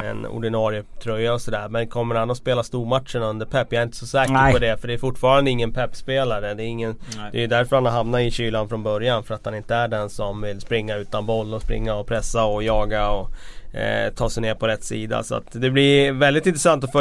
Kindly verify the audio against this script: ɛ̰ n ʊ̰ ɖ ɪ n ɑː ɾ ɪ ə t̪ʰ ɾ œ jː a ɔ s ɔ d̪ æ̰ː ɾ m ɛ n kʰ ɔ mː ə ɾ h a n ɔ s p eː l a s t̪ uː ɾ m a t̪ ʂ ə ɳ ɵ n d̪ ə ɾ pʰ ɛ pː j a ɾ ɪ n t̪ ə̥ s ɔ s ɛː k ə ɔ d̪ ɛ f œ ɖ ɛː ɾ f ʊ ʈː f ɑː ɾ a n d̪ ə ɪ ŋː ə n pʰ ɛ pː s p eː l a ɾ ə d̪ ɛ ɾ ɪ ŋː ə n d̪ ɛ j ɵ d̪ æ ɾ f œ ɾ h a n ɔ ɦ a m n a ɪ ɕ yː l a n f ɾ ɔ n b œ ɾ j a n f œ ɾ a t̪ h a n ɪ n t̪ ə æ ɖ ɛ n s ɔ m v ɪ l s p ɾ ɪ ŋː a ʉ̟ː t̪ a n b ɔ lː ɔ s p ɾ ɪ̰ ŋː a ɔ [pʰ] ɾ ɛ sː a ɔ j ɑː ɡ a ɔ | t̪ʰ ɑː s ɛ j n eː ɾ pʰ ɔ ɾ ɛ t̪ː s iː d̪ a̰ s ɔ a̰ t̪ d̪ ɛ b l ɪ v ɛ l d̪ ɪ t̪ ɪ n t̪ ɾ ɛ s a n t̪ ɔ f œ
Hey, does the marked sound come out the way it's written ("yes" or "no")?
yes